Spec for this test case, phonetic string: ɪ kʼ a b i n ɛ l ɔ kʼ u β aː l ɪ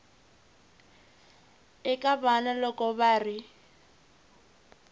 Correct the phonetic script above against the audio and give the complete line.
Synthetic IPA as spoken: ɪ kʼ a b a n a l ɔ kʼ ɔ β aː r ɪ